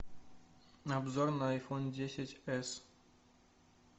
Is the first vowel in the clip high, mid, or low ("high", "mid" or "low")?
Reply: low